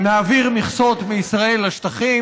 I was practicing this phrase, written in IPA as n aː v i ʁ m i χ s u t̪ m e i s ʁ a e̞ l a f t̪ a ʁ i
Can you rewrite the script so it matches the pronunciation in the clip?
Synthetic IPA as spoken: n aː v i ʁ m i χ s o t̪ m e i s ʁ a e̞ l a ʃ t̪ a χ i